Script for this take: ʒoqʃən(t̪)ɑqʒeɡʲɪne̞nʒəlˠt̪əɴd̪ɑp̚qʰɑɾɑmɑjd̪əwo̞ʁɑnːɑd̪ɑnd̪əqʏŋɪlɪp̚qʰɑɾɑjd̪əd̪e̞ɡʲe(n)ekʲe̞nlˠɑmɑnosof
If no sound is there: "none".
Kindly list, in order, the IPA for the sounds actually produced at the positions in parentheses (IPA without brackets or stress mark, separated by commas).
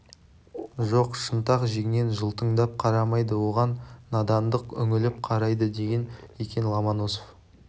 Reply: t̪, n